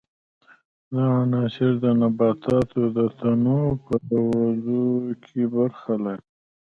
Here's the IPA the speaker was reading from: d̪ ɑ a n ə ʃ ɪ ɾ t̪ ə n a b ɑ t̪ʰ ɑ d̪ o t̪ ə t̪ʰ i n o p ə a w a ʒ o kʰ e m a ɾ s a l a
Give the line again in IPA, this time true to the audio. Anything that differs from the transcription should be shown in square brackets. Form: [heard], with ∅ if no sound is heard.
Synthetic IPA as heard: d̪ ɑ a n [ɑ] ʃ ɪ ɾ [d̪] ə n a b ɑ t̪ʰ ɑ [t̪] o [d̪] ə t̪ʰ [a] n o p ə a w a [z] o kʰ e [b] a ɾ [x] a l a

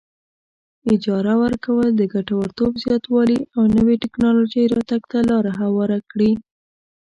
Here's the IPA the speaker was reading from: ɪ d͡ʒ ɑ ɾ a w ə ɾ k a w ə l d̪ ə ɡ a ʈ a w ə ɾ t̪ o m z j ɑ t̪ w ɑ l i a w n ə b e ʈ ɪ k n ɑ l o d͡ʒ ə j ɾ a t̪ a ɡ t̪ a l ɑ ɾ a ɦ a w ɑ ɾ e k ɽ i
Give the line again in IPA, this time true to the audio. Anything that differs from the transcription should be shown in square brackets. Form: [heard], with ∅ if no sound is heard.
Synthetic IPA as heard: ɪ d͡ʒ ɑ ɾ a w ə ɾ k a w ə l d̪ ə ɡ a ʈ a w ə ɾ t̪ o [b] z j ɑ t̪ w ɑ l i a w n ə [w] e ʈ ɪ k n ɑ l o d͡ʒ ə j ɾ [ɑ] t̪ a ɡ t̪ a l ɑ ɾ a ɦ a w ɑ ɾ [a] k ɽ i

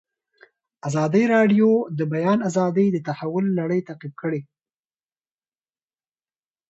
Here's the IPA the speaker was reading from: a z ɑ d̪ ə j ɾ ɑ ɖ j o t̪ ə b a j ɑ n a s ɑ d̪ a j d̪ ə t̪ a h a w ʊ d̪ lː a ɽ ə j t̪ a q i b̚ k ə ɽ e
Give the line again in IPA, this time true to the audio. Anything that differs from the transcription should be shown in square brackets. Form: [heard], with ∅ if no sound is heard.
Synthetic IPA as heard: a z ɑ d̪ ə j ɾ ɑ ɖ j o [d̪] ə b a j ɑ n a [z] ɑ d̪ [ə] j d̪ ə t̪ a h a w ʊ [∅] lː a ɽ ə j t̪ a q i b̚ k ə ɽ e

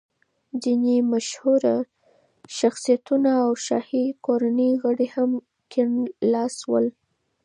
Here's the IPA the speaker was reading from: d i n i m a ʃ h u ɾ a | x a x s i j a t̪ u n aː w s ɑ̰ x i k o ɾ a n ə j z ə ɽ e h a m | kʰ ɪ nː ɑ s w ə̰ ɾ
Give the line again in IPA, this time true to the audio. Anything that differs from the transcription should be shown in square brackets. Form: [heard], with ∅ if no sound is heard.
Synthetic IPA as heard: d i n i m a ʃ h u ɾ a | [ʃ] a x s i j a t̪ u n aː w [ʃ] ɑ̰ [h] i k o ɾ a n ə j [ɣ] ə ɽ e h a m | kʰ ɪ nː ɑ s w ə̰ [l]

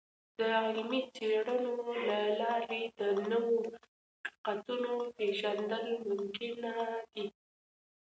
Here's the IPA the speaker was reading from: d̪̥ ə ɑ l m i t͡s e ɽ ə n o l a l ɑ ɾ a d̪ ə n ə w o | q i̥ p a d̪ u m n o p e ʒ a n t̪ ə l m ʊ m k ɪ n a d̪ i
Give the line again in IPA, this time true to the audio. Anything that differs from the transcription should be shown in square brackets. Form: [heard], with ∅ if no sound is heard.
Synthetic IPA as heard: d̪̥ ə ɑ l m i t͡s e ɽ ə n o l a l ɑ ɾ [e] d̪ ə n ə w o | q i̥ [q] a [t̪] u [∅] n o p e ʒ a n [d̪] ə l m ʊ m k ɪ n a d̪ i

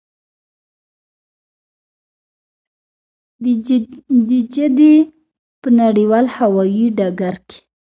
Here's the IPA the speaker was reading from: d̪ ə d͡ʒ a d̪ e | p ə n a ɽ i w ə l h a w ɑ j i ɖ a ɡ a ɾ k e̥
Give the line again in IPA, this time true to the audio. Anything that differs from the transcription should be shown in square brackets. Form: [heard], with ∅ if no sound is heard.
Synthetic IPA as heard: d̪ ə d͡ʒ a d̪ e | p ə n a ɽ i w [ɑ] l h a w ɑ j i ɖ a ɡ a ɾ k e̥

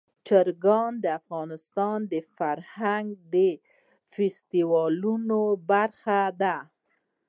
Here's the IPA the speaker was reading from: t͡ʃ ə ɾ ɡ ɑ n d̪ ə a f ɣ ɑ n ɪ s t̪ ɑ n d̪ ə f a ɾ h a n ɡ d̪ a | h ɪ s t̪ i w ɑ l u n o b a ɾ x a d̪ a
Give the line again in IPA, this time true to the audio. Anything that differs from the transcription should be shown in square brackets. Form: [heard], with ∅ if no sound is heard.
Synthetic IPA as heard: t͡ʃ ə ɾ ɡ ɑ n d̪ ə a f ɣ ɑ n ɪ s t̪ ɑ n d̪ ə f a ɾ h a [ŋ] ɡ d̪ [ə] | [f] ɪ s t̪ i w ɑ l u n o b a ɾ x a d̪ a

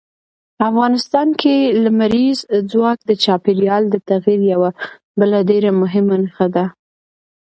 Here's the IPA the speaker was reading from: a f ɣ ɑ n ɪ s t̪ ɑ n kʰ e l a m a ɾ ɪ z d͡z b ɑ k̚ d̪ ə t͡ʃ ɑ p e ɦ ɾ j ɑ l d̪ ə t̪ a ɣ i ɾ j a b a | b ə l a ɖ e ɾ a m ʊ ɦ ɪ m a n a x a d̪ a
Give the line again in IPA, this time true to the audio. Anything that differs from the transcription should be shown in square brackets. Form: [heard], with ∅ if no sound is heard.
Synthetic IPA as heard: a f ɣ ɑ n ɪ s t̪ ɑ n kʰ e l a m a ɾ [i] z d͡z [w] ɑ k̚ d̪ ə t͡ʃ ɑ p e [∅] ɾ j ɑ l d̪ ə t̪ a ɣ i ɾ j a [w] a | b ə l a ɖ e ɾ a m ʊ ɦ ɪ m a n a x a d̪ a

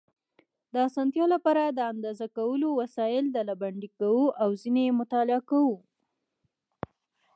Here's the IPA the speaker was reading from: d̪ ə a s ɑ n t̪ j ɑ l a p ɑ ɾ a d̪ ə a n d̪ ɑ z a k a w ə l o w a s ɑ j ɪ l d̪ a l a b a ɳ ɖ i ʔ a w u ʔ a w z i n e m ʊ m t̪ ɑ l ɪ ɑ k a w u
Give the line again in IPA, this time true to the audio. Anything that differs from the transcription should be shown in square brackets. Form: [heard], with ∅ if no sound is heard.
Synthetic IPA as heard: d̪ ə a s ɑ n t̪ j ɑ l a p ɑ ɾ a d̪ ə a n d̪ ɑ z a k a w ə l o w a s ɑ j ɪ l d̪ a l a b a ɳ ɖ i [k] a w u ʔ a w z i n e m ʊ [∅] t̪ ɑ l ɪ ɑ k a w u

